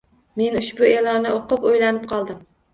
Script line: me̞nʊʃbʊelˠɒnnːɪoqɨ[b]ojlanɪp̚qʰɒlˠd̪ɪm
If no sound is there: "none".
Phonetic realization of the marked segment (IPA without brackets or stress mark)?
p